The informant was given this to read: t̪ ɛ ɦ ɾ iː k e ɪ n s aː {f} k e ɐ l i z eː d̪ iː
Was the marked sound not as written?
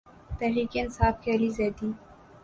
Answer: no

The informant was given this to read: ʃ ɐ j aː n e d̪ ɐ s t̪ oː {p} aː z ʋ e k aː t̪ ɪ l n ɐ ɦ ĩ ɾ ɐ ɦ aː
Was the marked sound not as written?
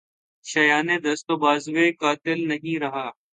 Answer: yes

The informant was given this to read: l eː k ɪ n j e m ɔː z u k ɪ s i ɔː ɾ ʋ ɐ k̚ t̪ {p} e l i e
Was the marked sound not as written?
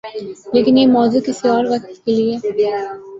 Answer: yes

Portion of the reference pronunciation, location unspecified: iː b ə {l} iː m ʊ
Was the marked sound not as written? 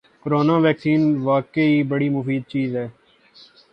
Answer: yes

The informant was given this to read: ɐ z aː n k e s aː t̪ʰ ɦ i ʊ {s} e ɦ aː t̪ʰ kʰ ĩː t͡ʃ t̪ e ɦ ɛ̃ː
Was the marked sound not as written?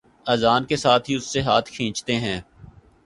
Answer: yes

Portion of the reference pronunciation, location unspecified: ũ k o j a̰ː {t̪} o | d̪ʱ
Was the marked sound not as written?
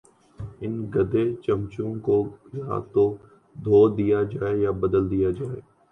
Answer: no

